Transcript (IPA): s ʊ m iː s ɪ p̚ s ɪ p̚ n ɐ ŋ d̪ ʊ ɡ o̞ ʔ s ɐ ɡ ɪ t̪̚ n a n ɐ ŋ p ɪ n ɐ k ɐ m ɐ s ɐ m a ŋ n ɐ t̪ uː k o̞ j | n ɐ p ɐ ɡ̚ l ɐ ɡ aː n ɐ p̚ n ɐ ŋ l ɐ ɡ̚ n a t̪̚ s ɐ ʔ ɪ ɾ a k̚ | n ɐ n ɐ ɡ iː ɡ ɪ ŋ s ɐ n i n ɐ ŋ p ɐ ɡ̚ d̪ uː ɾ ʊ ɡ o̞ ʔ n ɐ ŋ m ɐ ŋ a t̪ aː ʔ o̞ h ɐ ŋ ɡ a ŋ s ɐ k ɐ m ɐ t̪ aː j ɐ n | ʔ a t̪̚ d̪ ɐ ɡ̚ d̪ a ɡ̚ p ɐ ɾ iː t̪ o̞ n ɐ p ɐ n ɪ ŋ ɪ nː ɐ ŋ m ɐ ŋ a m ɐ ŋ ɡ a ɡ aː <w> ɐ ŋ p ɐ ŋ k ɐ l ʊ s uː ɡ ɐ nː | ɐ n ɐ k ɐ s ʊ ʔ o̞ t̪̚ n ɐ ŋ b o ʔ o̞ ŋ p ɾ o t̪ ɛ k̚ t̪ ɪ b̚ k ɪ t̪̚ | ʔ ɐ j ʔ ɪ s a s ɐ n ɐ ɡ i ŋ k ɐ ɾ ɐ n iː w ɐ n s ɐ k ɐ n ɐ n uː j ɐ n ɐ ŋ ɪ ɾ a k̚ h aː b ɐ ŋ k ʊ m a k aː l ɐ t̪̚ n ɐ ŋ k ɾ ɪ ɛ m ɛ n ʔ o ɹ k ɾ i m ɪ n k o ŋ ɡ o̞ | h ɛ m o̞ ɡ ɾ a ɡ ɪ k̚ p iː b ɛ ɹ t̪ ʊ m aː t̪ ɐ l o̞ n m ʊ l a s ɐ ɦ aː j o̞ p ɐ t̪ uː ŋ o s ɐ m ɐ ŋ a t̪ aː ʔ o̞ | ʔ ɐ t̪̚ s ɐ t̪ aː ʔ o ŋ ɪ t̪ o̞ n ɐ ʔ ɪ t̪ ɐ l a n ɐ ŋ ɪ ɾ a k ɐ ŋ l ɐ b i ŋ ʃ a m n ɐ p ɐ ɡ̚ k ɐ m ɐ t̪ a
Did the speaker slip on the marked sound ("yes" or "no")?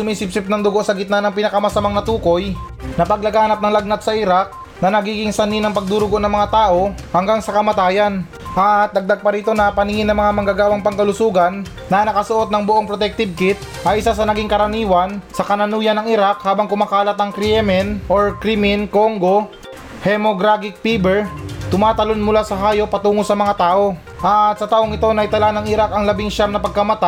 no